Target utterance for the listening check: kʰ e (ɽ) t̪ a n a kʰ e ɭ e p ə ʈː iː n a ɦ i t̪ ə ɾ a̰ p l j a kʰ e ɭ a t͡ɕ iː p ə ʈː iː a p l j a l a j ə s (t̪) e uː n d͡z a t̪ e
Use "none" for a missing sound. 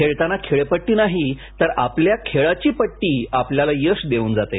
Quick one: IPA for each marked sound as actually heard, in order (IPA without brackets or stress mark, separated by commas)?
ɭ, d̪